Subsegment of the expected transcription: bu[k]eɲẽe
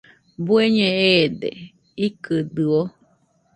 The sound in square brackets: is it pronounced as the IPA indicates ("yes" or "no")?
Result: no